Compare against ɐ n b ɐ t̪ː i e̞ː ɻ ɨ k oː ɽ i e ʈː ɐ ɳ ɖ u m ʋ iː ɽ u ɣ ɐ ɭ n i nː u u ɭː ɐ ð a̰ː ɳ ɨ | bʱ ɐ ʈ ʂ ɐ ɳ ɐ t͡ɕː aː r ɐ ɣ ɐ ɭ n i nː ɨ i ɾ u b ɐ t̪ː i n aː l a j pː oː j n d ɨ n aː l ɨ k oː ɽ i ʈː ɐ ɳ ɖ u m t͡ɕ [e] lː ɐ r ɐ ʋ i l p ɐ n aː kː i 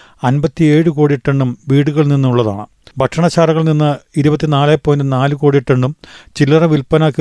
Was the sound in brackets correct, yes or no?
no